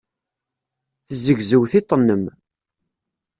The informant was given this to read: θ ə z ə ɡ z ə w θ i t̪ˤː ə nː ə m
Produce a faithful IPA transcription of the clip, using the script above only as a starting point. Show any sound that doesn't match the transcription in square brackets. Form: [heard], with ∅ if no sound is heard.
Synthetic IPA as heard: θ ə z ə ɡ z ə w θ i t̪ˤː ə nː ə m